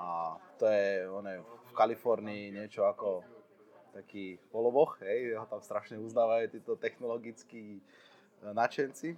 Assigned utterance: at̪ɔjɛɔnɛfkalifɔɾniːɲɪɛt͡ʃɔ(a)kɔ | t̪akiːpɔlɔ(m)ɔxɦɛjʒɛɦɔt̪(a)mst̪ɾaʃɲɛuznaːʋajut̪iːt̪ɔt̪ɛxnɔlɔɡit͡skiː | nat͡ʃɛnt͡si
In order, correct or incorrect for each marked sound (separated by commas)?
correct, incorrect, correct